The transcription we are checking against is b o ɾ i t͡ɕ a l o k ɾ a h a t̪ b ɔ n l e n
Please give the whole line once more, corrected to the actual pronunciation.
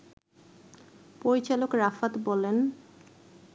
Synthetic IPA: p o ɾ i t͡ɕ a l o k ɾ a f a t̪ b ɔ l e n